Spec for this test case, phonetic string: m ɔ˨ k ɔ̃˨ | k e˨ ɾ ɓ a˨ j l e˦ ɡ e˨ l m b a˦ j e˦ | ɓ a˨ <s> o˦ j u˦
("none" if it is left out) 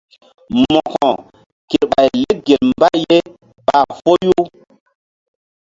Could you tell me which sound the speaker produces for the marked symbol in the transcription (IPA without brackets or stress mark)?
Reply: f